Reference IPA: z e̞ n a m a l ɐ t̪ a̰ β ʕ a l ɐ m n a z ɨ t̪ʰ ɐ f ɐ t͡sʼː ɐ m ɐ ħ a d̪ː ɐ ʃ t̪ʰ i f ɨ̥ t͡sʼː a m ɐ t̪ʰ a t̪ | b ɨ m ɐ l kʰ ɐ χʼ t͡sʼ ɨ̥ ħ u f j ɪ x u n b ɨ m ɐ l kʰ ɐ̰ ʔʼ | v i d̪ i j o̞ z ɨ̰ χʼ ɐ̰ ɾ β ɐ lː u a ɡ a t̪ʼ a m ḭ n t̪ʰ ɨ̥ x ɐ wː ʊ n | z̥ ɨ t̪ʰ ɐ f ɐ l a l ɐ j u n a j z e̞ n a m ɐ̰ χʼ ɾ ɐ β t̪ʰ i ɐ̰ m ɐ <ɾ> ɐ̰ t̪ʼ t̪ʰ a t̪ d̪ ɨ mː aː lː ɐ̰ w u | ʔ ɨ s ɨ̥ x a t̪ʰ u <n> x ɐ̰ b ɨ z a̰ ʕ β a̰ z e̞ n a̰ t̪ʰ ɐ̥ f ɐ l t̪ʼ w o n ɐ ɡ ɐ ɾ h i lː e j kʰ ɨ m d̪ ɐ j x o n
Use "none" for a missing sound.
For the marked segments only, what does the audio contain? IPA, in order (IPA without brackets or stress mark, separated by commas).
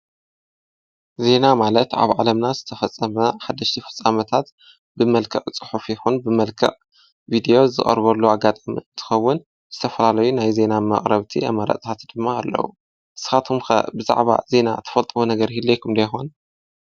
ɾ, m